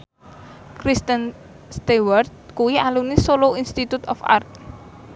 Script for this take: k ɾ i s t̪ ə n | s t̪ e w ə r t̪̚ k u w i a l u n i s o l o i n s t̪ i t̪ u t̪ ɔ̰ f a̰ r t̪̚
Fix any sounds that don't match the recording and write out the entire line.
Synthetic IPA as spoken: k ɾ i s t̪ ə n | s t̪ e w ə r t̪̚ k u w i a l u n i s o l o i n s t̪ i t̪ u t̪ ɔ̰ f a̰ r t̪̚